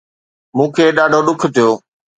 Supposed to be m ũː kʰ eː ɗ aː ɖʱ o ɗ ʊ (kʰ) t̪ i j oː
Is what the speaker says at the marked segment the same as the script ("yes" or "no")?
yes